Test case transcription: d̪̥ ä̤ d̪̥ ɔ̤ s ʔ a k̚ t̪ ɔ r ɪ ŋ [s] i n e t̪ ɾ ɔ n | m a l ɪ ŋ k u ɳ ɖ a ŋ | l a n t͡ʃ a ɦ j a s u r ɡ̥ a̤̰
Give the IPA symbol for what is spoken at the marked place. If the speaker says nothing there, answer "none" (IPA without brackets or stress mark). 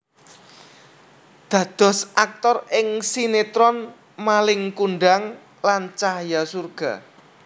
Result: s